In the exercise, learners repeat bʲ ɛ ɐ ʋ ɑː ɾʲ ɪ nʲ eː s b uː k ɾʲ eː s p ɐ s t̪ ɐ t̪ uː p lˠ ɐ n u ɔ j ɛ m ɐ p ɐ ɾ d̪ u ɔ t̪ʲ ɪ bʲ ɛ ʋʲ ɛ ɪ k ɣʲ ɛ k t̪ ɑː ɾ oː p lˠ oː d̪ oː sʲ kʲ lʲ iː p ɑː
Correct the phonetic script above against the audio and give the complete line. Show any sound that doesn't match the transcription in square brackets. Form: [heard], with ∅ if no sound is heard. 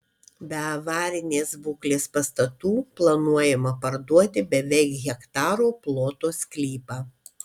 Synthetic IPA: bʲ ɛ ɐ ʋ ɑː ɾʲ ɪ nʲ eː s b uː k [lʲ] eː s p ɐ s t̪ ɐ t̪ uː p lˠ ɐ n u ɔ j ɛ m ɐ p ɐ ɾ d̪ u ɔ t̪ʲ ɪ bʲ ɛ ʋʲ ɛ ɪ k ɣʲ ɛ k t̪ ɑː ɾ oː p lˠ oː [t̪] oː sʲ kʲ lʲ iː p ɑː